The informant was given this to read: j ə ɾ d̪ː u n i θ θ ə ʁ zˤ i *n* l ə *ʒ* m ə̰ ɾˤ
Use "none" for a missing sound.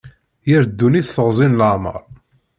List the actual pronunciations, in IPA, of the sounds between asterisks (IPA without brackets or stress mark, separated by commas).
n, ʕ